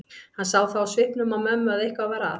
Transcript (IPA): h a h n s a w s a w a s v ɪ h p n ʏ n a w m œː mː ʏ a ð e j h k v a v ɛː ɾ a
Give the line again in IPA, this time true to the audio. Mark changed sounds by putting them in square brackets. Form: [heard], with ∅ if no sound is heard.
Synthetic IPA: h a [∅] n s a w [θ] a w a s v ɪ h p n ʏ [m] a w m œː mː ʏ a ð e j h k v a v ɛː ɾ a

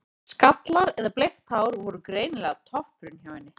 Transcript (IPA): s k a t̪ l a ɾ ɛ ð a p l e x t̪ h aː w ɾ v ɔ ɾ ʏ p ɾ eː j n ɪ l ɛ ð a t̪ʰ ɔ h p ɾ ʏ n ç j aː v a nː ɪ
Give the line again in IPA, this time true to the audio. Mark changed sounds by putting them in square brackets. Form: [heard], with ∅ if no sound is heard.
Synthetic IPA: s k a t̪ l a ɾ ɛ ð a p l e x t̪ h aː w ɾ v ɔ ɾ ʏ [k] ɾ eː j n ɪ l ɛ [ɣ] a t̪ʰ ɔ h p ɾ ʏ n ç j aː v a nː ɪ

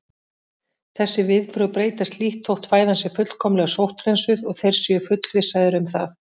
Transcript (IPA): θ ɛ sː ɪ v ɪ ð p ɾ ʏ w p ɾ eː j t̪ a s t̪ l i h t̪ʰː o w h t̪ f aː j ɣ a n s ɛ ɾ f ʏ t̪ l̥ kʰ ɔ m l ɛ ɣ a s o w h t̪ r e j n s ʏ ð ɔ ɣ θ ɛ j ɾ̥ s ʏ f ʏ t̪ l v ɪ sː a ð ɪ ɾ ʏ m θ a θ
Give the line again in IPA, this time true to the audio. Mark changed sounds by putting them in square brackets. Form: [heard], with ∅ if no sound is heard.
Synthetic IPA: θ ɛ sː ɪ v ɪ ð p ɾ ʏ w p ɾ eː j t̪ a s t̪ l i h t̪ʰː o w h t̪ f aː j [ð] a n s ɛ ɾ f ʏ t̪ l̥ kʰ ɔ m l ɛ ɣ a s o w h t̪ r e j n s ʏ ð ɔ ɣ θ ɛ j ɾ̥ s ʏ f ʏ t̪ l v ɪ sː a ð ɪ ɾ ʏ m θ a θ

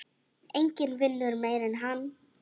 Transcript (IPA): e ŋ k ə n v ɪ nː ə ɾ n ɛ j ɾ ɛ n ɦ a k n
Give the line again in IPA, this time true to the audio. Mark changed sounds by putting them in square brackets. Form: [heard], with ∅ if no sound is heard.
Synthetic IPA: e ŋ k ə n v ɪ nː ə ɾ [m] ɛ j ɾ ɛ n ɦ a [∅] n

